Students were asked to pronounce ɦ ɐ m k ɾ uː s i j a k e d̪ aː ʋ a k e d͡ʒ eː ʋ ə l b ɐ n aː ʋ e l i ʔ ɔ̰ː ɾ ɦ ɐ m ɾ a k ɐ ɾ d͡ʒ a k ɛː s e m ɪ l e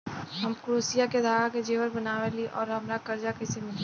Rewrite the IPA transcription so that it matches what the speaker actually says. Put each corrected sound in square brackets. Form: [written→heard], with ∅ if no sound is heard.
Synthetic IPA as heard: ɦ ɐ m k ɾ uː s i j a k e d̪ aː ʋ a k e d͡ʒ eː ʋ ə [l→ɾ] b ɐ n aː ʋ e l i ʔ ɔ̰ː ɾ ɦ ɐ m ɾ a k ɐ ɾ d͡ʒ a k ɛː s e m ɪ l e